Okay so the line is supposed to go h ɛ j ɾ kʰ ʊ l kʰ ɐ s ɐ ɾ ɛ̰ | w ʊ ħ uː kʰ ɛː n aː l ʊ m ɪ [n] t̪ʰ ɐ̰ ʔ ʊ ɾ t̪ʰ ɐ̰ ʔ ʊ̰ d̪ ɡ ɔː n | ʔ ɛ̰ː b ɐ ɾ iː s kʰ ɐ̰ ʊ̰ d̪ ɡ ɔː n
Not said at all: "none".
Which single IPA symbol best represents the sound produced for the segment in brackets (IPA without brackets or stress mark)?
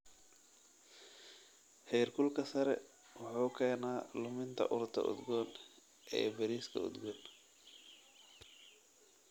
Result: n